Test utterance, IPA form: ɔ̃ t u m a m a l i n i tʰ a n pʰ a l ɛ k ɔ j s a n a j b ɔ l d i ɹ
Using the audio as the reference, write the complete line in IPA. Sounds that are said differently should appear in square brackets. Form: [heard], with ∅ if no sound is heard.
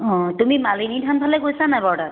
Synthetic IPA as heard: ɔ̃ t u m [i] m a l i n i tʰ a n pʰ a l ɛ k [o] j s a n a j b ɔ [ɹ] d [a] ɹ